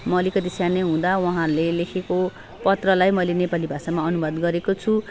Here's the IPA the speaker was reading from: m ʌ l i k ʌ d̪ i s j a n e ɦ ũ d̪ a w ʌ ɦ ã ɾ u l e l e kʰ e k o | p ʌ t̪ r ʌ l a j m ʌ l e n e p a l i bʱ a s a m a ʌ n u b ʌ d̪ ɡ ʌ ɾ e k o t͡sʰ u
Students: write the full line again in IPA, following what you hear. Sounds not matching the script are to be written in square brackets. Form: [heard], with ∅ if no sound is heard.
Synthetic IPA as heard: m ʌ l i k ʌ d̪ i s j a n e ɦ ũ d̪ a w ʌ ɦ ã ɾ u l e l e kʰ e k o | p ʌ t̪ r ʌ l a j m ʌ l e n e p a l i bʱ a s a m a ʌ n u b ʌ d̪ ɡ ʌ ɾ e k o t͡sʰ u